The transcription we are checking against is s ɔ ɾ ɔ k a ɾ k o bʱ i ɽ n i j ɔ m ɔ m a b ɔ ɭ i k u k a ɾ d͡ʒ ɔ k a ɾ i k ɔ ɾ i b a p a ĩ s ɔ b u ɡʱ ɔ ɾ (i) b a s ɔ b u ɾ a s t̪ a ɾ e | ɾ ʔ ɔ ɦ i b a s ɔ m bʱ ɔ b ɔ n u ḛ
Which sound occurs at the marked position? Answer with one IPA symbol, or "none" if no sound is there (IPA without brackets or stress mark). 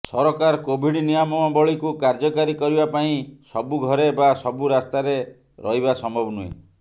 e